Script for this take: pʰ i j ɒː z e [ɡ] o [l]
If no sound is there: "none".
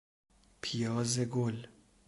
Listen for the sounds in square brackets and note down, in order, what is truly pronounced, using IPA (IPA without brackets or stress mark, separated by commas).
ɡ, l